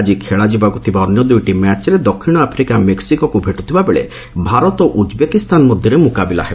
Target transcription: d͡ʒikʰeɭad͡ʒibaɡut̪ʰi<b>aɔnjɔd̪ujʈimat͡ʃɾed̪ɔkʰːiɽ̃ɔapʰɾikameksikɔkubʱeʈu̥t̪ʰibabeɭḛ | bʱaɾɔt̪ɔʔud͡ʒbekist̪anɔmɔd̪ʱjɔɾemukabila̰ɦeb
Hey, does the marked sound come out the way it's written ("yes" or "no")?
yes